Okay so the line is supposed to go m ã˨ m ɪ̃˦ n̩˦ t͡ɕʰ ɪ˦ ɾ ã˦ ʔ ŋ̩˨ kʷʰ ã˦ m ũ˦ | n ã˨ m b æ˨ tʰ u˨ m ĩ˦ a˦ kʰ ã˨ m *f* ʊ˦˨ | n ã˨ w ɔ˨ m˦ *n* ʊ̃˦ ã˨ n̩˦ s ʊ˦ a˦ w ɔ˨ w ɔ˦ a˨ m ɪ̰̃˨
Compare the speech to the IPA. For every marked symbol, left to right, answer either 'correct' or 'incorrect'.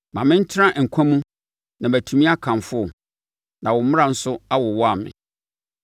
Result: correct, incorrect

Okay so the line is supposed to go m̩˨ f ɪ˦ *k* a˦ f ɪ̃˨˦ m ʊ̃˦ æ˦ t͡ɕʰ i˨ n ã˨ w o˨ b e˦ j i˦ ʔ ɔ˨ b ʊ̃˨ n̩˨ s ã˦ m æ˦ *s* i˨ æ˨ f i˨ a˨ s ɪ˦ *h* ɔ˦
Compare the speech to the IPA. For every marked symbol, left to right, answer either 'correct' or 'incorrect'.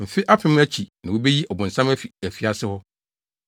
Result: incorrect, incorrect, correct

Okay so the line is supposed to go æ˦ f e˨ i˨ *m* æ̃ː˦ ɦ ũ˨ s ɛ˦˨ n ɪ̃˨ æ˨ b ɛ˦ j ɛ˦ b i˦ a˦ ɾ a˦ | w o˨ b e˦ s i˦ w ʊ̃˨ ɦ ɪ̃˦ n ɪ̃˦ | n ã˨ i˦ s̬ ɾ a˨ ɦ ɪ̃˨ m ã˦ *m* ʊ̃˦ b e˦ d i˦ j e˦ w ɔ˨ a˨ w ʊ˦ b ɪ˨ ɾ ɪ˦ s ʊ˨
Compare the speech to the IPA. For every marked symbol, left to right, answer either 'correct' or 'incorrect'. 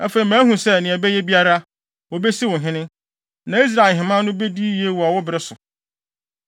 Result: correct, incorrect

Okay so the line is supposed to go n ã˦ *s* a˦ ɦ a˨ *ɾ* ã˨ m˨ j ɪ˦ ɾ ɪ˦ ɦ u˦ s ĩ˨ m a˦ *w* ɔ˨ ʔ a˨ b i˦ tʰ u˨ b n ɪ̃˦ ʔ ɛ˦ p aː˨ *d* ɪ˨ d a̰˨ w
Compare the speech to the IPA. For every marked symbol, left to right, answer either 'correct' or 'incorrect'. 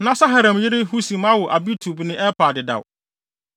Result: correct, correct, correct, correct

